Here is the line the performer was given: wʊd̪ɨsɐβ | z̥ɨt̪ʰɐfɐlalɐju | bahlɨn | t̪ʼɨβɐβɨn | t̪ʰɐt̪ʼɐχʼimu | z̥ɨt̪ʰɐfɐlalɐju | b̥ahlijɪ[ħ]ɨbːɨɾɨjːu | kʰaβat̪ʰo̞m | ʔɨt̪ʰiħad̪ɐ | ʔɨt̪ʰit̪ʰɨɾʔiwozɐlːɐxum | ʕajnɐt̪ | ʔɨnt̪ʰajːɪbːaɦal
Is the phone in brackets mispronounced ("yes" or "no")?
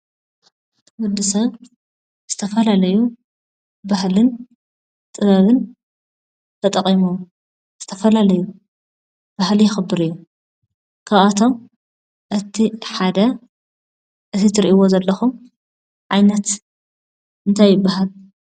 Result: yes